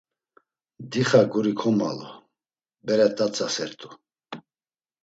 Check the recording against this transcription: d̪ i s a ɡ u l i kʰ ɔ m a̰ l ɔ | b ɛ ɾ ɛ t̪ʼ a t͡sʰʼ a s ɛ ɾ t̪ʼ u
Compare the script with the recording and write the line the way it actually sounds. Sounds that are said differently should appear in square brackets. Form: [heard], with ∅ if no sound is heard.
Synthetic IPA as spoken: d̪ i [χ] a ɡ u [ɾ] i kʰ ɔ m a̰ l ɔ | b ɛ ɾ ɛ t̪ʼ a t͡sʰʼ a s ɛ ɾ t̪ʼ u